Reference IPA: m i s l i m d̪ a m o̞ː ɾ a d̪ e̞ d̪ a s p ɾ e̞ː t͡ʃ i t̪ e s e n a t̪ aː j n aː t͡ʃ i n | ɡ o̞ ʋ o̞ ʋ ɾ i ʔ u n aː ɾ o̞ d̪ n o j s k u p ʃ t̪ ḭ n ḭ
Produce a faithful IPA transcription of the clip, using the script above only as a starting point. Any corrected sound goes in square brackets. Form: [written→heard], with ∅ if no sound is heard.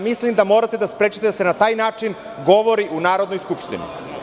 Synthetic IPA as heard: m i s l i m d̪ a m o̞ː ɾ a [d̪→t̪] e̞ d̪ a s p ɾ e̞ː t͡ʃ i t̪ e s e n a t̪ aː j n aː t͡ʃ i n | ɡ o̞ ʋ o̞ [ʋ→∅] ɾ i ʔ u n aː ɾ o̞ d̪ n o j s k u p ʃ t̪ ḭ n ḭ